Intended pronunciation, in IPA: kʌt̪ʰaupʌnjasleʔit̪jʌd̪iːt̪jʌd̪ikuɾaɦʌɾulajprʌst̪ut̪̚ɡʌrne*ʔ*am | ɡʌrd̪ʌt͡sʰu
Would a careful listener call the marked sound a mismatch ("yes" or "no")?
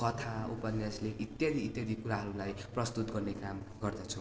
yes